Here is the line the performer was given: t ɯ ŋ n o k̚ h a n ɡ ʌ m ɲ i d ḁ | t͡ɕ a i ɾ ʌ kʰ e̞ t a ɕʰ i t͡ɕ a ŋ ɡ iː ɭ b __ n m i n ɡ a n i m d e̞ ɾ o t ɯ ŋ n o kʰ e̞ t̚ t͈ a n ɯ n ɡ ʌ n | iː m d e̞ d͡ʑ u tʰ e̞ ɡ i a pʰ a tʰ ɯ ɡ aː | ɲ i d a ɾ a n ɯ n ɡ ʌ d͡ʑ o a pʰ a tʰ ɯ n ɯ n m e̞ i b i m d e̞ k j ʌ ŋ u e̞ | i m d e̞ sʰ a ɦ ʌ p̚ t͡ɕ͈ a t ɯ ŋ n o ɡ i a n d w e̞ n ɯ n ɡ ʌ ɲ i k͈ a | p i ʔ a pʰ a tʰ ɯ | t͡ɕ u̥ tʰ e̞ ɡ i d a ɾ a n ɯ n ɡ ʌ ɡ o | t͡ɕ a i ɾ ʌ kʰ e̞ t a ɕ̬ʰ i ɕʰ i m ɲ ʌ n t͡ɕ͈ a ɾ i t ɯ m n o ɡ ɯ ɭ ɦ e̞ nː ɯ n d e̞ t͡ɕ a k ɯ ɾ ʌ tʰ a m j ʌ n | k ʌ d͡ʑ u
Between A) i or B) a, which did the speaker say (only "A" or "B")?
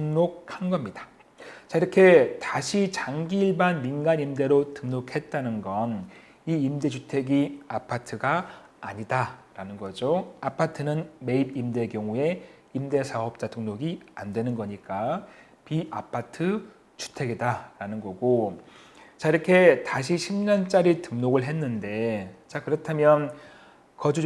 B